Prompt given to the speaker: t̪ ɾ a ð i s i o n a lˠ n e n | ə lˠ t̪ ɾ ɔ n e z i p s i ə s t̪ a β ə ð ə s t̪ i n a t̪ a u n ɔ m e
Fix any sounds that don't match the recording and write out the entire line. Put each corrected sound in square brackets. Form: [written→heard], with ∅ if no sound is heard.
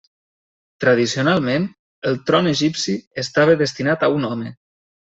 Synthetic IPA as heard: t̪ ɾ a ð i s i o n a lˠ [n→m] e n | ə lˠ t̪ ɾ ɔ n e [z→ʒ] i p s i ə s t̪ a β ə ð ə s t̪ i n a t̪ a u n ɔ m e

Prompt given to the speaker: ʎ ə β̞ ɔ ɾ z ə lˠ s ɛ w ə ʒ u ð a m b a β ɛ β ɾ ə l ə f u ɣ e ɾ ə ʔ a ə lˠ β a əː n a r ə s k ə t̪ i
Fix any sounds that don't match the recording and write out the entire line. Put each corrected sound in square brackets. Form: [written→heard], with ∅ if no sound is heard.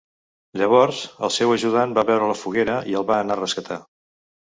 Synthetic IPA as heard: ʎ ə β̞ ɔ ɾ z ə lˠ s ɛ w ə ʒ u ð a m b a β ɛ [β→w] ɾ ə l ə f u ɣ e ɾ ə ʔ [a→i] ə lˠ β a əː n a r ə s k ə t̪ [i→a]

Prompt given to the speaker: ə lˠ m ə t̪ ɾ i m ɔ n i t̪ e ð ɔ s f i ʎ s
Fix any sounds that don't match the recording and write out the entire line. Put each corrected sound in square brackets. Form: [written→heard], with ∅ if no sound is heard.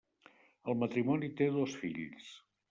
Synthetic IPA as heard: ə lˠ m ə t̪ ɾ i m ɔ n i t̪ e ð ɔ s f i ʎ s

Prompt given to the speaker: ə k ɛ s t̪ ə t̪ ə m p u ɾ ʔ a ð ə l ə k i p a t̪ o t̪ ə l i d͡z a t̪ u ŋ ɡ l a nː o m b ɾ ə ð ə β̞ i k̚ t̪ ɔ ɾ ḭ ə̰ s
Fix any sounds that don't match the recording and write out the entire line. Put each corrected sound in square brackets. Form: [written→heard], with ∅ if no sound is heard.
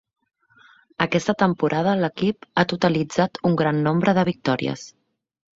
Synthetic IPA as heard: ə k ɛ s t̪ ə t̪ ə m p u ɾ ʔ a ð ə l ə k i p a t̪ [o→u] t̪ ə l i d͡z a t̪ u ŋ ɡ [l→ɾ] a nː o m b ɾ ə ð ə β̞ i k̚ t̪ ɔ ɾ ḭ ə̰ s

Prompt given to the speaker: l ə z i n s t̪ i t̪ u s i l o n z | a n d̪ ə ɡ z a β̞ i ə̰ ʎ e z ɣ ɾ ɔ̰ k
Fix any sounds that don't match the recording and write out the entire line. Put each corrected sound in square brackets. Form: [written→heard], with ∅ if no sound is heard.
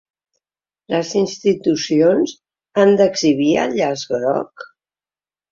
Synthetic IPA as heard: l ə z i n s t̪ i t̪ u s i [l→∅] o n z | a n d̪ ə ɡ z [a→i] β̞ i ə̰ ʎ [e→a] z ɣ ɾ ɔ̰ k

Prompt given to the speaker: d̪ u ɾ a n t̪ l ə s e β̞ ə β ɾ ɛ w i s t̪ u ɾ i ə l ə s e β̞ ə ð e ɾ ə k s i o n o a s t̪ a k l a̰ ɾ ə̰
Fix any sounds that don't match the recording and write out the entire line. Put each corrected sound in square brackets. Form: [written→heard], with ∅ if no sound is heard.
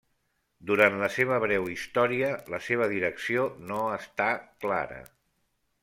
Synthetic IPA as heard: d̪ u ɾ a n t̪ l ə s e β̞ ə β ɾ ɛ w i s t̪ [u→ɔ] ɾ i ə l ə s e β̞ ə ð [e→i] ɾ ə k s i o n o [a→ə] s t̪ a k l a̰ ɾ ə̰

